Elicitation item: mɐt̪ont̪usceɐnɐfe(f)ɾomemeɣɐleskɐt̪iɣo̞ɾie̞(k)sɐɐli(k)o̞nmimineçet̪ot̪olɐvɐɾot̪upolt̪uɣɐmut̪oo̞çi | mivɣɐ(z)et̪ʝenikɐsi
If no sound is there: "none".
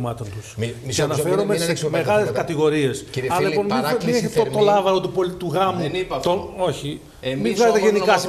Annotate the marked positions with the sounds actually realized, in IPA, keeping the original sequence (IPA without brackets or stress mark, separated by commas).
none, none, p, z